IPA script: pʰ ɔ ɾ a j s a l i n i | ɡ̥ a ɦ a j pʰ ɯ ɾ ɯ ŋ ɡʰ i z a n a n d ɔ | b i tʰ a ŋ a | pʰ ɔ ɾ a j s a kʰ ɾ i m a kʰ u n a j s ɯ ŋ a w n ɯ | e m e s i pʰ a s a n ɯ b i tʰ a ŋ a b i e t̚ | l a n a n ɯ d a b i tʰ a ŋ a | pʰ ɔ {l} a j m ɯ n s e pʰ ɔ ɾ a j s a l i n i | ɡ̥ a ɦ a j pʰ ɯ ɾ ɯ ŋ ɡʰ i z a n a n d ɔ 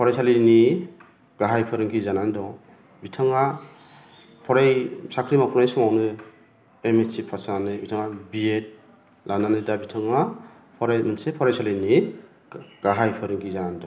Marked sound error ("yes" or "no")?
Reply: yes